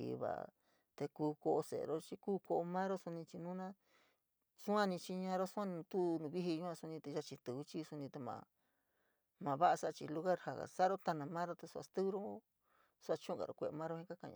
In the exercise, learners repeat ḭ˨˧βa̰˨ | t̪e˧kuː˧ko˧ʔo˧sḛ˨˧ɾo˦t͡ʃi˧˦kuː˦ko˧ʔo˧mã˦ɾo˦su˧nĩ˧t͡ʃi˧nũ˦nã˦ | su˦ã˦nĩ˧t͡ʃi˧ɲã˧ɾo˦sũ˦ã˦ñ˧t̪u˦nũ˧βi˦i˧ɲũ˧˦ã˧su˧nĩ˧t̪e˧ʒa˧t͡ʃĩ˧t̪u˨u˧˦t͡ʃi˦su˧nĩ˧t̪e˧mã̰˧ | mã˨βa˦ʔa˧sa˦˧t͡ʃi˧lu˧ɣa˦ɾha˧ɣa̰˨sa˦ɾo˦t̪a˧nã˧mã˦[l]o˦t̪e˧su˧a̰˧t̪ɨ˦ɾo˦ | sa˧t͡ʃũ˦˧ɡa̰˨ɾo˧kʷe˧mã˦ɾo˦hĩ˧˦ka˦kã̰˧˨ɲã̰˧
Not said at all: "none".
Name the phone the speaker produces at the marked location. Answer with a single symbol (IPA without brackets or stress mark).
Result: ɾ